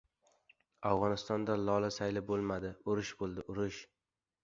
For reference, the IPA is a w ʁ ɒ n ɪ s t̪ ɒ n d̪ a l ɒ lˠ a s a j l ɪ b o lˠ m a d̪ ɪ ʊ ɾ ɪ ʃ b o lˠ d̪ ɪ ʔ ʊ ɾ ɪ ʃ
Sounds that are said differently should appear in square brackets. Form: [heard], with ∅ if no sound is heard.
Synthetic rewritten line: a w ʁ ɒ n ɪ s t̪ ɒ n d̪ a l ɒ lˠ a s a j l ɪ b o lˠ m a d̪ ɪ ʊ ɾ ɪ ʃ b o lˠ d̪ ɪ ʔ ʊ ɾ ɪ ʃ